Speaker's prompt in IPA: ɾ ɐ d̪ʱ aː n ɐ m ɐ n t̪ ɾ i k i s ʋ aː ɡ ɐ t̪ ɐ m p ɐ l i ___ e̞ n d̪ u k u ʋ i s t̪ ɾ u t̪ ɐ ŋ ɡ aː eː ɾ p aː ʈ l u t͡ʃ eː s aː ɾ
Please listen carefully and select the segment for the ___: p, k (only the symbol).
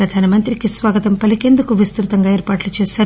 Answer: k